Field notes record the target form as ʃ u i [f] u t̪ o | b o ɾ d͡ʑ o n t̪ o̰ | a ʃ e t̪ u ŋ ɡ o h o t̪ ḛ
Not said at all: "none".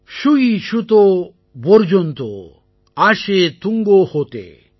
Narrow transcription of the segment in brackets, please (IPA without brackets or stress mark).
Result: ʃ